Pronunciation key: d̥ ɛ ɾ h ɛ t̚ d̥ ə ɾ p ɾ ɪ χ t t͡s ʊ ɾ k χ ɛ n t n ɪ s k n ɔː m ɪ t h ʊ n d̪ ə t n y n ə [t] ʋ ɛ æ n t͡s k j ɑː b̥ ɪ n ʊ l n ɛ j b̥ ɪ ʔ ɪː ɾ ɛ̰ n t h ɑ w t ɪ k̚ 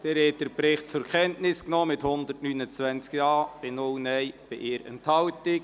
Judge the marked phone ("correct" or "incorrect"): incorrect